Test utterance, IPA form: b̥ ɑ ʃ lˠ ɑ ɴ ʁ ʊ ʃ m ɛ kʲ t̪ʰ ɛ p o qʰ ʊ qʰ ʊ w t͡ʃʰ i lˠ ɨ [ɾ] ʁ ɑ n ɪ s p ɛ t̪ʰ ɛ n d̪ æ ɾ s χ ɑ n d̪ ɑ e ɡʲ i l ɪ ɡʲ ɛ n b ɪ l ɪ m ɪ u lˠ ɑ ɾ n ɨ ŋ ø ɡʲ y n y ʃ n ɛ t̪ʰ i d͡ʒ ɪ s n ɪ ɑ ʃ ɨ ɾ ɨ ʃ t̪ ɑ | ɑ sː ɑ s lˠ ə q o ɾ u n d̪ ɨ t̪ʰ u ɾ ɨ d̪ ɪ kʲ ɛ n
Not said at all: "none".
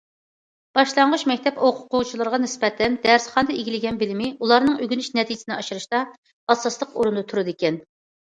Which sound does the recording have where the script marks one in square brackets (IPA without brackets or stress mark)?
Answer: ɾ